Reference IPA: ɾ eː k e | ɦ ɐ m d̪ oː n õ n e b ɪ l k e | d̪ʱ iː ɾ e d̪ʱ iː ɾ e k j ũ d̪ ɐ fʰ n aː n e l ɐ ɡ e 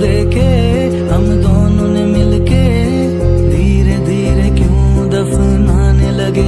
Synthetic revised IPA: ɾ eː k e | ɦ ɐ m d̪ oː n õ n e m ɪ l k e | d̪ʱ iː ɾ e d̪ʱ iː ɾ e k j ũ d̪ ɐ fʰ n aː n e l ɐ ɡ e